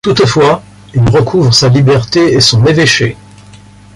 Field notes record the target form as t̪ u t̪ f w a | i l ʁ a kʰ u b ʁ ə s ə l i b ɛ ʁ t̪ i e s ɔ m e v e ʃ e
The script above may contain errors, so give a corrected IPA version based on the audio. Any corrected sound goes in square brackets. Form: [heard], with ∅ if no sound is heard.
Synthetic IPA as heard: t̪ u t̪ f w a | i l ʁ [ə] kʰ u [v] ʁ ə s [a] l i b ɛ ʁ t̪ [e] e s [ɔ̃] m e v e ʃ e